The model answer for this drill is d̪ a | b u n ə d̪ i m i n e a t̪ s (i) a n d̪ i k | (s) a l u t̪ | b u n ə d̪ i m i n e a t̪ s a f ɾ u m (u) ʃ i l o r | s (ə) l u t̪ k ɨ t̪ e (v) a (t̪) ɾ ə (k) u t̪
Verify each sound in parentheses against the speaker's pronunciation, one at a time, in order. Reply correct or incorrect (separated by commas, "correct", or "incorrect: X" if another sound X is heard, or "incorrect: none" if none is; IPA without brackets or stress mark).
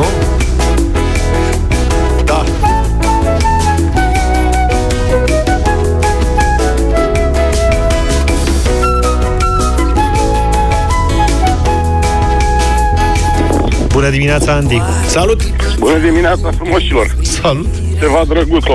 incorrect: a, correct, incorrect: o, incorrect: a, correct, incorrect: d̪, incorrect: ɡ